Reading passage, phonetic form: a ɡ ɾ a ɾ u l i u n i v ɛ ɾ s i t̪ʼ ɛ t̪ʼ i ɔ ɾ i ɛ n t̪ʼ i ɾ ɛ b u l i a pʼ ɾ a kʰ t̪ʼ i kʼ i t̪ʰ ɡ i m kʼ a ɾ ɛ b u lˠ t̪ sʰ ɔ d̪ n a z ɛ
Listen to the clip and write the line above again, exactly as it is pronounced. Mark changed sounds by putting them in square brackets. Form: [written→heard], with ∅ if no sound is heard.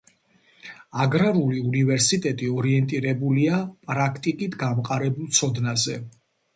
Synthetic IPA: a ɡ ɾ a ɾ u l i u n i v ɛ ɾ s i t̪ʼ ɛ t̪ʼ i ɔ ɾ i ɛ n t̪ʼ i ɾ ɛ b u l i a pʼ ɾ a kʰ t̪ʼ i kʼ i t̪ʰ ɡ [i→a] m [kʼ→qʼ] a ɾ ɛ b u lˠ t̪ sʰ ɔ d̪ n a z ɛ